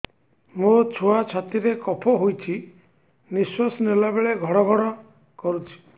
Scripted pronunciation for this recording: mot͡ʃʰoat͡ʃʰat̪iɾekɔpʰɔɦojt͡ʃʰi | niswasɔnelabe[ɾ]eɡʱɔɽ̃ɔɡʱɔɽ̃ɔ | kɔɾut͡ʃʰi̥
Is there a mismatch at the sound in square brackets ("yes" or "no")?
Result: yes